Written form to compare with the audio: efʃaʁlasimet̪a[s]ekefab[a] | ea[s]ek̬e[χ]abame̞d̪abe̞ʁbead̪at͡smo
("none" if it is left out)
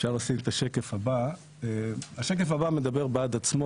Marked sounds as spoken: ʃ, a, ʃ, f

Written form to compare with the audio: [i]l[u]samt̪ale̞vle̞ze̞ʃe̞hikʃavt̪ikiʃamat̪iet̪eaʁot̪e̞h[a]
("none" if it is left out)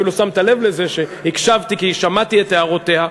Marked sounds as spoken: i, u, a

